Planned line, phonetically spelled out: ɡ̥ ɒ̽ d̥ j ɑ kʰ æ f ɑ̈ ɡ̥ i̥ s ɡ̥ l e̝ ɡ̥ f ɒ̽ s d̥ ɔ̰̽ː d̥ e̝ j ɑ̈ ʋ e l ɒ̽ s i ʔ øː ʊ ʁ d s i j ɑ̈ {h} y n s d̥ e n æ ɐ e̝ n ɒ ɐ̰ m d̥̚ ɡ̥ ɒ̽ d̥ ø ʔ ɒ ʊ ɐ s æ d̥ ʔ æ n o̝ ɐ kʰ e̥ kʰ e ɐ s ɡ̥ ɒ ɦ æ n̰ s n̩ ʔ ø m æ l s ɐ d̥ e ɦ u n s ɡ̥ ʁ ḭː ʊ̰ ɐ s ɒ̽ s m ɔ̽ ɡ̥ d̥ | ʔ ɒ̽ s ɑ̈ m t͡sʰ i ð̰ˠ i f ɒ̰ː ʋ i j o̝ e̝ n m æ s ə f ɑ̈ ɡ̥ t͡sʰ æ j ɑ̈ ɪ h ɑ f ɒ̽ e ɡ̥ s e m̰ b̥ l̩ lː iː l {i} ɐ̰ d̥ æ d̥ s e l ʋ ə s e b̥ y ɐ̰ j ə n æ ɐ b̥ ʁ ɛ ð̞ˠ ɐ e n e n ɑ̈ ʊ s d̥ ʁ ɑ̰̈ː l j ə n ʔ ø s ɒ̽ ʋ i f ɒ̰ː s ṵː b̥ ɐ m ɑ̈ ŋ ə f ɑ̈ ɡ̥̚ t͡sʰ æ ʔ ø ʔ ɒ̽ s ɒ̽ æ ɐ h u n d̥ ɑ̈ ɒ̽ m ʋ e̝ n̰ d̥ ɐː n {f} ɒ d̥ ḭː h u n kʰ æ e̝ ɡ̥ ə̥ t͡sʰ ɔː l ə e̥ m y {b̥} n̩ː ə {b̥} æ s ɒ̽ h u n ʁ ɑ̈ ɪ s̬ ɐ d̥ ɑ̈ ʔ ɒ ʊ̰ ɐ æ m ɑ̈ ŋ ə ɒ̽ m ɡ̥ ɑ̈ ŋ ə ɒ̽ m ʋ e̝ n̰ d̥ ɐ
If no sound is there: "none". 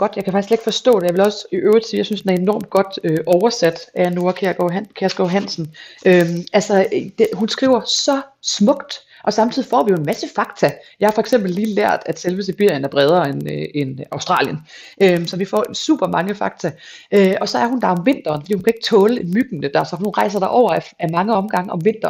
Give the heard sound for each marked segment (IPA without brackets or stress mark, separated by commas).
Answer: s, æ, f, ɡ̥, d̥